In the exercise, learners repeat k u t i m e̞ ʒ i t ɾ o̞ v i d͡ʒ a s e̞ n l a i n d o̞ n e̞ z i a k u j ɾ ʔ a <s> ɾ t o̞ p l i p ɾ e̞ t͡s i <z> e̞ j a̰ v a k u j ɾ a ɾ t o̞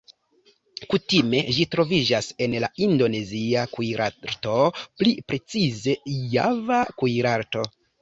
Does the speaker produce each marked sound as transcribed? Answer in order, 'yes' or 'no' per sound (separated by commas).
no, yes